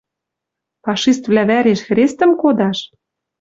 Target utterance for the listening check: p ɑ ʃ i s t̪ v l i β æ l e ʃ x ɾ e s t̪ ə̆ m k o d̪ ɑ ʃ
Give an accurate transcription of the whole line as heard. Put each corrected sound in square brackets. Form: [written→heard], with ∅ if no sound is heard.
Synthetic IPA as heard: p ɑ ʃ i s t̪ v l [i→æ] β æ [l→ɾ] e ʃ x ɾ e s t̪ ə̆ m k o d̪ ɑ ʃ

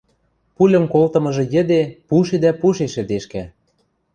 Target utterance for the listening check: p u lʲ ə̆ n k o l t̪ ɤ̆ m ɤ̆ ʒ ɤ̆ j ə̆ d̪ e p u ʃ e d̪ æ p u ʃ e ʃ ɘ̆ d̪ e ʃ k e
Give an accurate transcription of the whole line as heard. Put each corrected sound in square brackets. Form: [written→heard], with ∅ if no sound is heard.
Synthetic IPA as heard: p u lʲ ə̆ [n→m] k o l t̪ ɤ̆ m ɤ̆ ʒ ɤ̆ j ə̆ d̪ e p u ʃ e d̪ æ p u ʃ e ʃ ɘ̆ d̪ e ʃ k [e→æ]

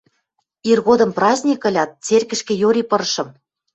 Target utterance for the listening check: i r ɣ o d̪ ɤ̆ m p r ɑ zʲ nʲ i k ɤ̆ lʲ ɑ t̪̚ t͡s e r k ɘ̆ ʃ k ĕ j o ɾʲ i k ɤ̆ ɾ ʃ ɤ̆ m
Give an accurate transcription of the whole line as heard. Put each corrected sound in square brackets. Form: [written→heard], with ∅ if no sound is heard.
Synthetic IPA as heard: i r ɣ o d̪ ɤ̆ m p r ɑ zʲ nʲ i k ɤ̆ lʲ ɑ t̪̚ t͡s e r k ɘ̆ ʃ k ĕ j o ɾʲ i [k→p] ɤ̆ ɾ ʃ ɤ̆ m

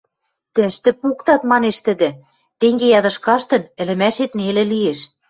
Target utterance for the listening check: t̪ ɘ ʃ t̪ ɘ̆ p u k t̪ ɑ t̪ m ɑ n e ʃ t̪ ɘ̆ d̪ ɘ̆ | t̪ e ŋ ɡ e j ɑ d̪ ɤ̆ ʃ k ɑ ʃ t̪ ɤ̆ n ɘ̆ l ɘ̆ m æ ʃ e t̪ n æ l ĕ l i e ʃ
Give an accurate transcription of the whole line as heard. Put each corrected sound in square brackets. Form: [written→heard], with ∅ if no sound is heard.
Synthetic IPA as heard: t̪ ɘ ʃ t̪ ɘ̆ p u k t̪ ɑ t̪ m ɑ n e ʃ t̪ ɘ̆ d̪ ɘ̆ | t̪ e ŋ ɡ e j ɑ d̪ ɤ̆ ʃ k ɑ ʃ t̪ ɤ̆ n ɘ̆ l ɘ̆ m æ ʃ e t̪ n [æ→e] l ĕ l i e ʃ

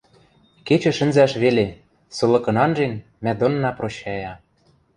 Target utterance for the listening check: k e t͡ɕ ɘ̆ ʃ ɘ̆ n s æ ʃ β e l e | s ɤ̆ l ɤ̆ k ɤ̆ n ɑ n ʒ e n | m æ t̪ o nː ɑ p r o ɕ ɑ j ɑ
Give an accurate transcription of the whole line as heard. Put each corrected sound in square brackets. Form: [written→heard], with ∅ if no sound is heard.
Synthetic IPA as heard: k e t͡ɕ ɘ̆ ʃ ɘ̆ n [s→z] æ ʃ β e l e | s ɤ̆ l ɤ̆ k ɤ̆ n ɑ n ʒ e n | m æ [t̪→d̪] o nː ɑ p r o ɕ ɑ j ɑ

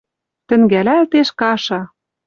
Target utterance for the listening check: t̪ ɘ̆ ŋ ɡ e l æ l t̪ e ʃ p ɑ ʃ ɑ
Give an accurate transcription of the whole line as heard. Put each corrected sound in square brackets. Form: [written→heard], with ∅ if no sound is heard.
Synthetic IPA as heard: t̪ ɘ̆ ŋ ɡ [e→æ] l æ l t̪ e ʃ [p→k] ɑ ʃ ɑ

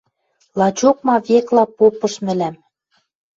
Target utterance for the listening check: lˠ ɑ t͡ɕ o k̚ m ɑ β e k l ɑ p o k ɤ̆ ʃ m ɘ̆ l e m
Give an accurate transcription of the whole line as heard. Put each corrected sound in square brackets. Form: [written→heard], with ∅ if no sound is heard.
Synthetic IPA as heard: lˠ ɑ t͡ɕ o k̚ m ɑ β e k l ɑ p o [k→p] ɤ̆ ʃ m ɘ̆ l [e→æ] m

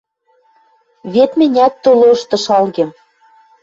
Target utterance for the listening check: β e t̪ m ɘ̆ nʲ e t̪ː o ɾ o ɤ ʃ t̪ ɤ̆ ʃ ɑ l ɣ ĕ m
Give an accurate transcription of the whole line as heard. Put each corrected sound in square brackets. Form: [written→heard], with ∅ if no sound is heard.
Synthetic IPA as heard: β e t̪ m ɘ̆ nʲ [e→æ] t̪ː o [ɾ→l] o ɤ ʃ t̪ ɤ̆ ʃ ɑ l ɣ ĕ m

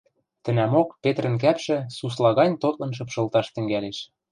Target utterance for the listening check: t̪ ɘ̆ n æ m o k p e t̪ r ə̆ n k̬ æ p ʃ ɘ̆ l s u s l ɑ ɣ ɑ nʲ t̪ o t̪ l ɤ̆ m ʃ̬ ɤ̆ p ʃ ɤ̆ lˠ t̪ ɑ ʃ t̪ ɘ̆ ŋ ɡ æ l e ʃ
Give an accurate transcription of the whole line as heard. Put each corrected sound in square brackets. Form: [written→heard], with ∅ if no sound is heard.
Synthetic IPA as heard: t̪ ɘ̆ n æ m o k p e t̪ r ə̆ n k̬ æ p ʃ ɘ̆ [l→∅] s u s l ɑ ɣ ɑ nʲ t̪ o t̪ l ɤ̆ [m→n] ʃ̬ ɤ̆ p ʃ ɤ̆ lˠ t̪ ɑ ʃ t̪ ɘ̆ ŋ ɡ æ l e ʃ

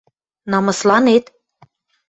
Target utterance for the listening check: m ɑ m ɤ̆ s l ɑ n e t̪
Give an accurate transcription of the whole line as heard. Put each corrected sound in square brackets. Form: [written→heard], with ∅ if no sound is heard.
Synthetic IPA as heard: [m→n] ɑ m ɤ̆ s l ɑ n e t̪

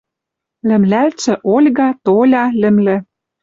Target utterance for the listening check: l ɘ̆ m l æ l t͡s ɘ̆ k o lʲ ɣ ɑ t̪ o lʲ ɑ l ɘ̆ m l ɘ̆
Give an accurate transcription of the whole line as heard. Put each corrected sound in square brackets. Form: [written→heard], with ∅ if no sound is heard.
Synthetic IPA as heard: l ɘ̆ m l æ l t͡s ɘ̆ [k→ʔ] o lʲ ɣ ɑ t̪ o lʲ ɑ l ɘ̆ m l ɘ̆

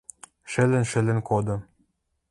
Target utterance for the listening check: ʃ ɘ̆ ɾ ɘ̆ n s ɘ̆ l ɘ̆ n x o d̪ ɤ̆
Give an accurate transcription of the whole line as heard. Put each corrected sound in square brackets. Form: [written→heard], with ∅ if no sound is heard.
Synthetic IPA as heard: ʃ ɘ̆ [ɾ→l] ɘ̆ n [s→ʃ] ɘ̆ l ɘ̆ n [x→k] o d̪ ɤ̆

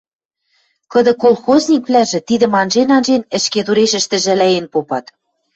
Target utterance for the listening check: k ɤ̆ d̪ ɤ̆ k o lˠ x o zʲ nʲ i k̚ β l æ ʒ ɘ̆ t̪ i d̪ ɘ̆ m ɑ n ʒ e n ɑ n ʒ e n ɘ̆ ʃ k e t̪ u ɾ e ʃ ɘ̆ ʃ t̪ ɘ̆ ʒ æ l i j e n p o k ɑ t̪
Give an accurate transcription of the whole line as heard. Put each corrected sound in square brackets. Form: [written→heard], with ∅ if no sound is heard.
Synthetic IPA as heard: k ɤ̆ d̪ ɤ̆ k o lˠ x o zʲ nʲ i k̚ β l æ ʒ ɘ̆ t̪ i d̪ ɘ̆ m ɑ n ʒ e n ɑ n ʒ e n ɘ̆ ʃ k e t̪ u ɾ e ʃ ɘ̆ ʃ t̪ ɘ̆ ʒ æ l [i→æ] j e n p o [k→p] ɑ t̪

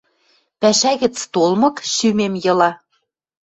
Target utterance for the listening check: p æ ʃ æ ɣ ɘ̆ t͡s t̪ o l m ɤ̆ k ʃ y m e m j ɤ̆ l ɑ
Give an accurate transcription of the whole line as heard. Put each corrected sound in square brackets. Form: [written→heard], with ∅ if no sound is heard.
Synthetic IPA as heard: p æ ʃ æ ɣ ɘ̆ t͡s t̪ o l m ɤ̆ k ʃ y m e m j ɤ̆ l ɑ

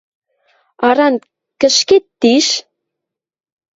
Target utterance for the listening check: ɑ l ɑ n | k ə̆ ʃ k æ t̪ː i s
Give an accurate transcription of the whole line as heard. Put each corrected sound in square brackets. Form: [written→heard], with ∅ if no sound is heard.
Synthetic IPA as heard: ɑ [l→ɾ] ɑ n | k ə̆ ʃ k [æ→e] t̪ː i [s→ʃ]

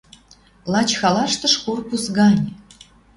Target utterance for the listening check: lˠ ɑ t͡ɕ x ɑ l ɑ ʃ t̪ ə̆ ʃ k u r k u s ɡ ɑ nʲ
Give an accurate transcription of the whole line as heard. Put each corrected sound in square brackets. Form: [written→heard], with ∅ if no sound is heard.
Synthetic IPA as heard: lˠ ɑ t͡ɕ x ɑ l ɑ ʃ t̪ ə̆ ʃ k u r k u s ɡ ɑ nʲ

